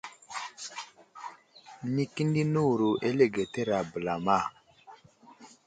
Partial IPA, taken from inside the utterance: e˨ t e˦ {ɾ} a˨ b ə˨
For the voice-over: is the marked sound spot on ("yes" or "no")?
yes